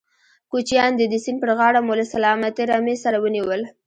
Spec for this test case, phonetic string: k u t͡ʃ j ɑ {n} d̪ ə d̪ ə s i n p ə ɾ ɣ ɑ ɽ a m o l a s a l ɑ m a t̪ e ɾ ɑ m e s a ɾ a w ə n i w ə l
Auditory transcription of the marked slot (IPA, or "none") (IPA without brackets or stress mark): n